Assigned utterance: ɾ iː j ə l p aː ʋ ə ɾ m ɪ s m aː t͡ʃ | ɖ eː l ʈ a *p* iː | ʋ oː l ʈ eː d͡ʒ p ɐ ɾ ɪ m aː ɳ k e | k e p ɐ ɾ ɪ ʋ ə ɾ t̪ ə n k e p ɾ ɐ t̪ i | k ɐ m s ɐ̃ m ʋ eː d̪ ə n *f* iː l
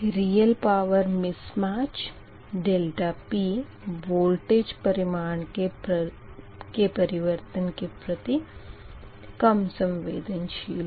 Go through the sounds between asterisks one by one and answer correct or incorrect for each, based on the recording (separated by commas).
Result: correct, incorrect